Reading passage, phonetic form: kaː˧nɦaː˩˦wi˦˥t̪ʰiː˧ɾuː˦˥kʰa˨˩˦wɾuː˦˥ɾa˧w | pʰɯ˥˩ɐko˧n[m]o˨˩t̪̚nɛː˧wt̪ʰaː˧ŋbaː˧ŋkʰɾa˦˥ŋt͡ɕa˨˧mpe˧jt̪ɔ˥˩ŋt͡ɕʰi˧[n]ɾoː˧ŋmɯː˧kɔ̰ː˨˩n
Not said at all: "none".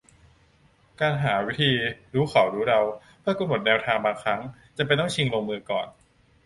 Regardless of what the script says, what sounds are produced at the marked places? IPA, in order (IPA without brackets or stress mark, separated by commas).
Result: m, ŋ